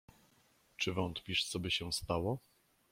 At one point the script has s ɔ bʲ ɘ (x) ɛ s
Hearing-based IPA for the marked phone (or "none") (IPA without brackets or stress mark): ɕ